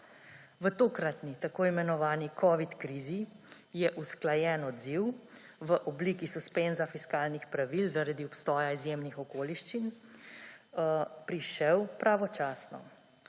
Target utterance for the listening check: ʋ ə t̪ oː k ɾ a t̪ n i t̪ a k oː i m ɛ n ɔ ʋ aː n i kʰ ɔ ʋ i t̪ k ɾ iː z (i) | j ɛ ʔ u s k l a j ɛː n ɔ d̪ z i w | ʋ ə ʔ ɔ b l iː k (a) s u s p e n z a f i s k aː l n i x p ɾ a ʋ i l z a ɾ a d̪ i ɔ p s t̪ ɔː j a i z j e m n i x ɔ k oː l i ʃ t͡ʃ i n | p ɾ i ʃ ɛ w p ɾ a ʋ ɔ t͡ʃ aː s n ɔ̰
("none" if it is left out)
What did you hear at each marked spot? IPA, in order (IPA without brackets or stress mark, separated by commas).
i, i